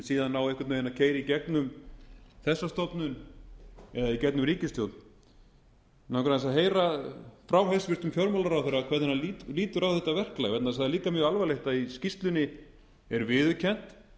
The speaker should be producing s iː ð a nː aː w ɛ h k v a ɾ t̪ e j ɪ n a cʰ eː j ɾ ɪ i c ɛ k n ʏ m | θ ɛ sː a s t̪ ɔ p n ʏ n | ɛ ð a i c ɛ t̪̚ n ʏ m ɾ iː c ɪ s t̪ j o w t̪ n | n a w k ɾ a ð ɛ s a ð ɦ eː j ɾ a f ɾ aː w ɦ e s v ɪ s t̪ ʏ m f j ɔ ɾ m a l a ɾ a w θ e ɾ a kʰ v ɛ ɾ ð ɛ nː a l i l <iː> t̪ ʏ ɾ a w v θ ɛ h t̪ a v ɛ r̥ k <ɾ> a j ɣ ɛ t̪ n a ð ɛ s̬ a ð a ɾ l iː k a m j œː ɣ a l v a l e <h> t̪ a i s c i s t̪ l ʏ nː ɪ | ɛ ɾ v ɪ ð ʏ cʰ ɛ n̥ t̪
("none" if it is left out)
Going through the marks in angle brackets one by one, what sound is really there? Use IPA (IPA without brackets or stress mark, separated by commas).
iː, l, h